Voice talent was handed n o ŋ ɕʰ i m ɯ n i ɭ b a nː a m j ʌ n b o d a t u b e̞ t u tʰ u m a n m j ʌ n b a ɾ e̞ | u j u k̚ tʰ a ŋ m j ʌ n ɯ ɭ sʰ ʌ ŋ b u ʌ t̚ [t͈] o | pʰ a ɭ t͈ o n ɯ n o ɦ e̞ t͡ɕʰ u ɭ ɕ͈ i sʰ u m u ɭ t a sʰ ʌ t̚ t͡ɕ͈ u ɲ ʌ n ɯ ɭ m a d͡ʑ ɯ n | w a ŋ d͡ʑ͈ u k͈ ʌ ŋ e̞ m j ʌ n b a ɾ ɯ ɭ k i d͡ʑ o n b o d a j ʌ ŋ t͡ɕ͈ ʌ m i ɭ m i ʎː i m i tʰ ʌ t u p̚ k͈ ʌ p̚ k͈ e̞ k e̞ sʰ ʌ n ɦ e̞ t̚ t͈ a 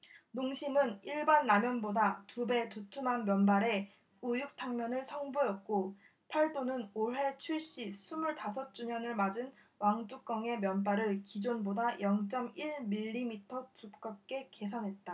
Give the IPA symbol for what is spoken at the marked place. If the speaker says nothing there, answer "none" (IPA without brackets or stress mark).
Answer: k͈